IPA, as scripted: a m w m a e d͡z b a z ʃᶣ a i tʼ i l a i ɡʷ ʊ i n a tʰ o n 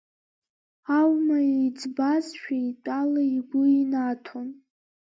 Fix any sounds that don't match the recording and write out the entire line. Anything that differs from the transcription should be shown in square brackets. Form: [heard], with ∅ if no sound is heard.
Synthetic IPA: a [∅] w m a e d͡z b a z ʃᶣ a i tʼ [a] l a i ɡʷ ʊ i n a tʰ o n